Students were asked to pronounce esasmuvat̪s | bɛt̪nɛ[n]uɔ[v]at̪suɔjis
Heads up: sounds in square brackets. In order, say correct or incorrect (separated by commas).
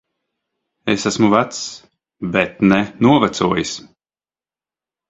correct, correct